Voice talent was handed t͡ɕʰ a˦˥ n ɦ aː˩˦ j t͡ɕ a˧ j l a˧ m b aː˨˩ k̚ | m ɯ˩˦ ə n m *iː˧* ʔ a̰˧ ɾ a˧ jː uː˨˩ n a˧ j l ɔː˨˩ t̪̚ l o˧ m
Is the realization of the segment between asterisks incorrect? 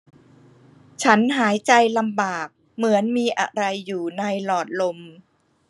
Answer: no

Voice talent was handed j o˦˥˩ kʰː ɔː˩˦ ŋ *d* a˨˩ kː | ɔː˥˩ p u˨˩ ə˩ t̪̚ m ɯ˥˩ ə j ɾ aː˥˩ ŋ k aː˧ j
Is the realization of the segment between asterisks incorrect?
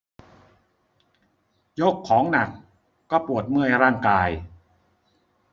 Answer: yes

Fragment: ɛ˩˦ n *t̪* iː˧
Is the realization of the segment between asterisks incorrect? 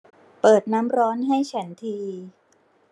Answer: yes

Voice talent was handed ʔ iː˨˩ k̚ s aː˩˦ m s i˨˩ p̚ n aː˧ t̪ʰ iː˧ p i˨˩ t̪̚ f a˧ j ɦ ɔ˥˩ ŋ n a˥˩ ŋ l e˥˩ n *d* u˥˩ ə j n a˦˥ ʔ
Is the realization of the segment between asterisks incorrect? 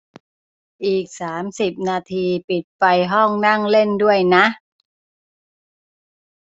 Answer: no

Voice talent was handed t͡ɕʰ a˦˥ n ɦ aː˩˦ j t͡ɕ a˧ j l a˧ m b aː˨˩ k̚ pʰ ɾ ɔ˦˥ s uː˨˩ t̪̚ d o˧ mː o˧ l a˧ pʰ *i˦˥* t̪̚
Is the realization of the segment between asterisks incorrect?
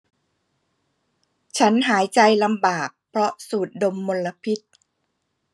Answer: no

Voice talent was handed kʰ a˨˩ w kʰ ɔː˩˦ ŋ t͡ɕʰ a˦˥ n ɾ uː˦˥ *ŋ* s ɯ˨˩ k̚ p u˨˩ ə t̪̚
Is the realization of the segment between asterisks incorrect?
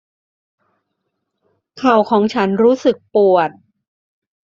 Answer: yes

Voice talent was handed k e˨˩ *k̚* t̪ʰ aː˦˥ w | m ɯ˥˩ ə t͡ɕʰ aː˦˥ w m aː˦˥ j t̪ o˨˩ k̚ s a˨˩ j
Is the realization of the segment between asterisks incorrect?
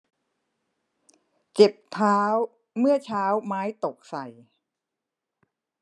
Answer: yes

